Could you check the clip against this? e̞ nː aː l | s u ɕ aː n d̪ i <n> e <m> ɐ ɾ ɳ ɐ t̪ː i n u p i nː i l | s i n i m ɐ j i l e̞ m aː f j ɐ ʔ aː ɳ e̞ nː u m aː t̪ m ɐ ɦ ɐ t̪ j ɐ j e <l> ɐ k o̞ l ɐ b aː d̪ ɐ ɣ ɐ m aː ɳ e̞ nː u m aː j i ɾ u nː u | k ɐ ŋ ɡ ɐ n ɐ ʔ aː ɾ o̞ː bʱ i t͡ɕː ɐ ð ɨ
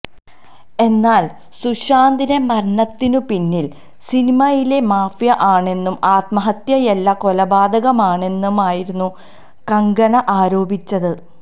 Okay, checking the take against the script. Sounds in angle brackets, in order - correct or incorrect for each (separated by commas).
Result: correct, correct, incorrect